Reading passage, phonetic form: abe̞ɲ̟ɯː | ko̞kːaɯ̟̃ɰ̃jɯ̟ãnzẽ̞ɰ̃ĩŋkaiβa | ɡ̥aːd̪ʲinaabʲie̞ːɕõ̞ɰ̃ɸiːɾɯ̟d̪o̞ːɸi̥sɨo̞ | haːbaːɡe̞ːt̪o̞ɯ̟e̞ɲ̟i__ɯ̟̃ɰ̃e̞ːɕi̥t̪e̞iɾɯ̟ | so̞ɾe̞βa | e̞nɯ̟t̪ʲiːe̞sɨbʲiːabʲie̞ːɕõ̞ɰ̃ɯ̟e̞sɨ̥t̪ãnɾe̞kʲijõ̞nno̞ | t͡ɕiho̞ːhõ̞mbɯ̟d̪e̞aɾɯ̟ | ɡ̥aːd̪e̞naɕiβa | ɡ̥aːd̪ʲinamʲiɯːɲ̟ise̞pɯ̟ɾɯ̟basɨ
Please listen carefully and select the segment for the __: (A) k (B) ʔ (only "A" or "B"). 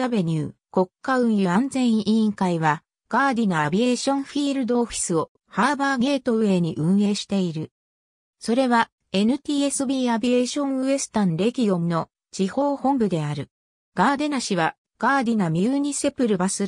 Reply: B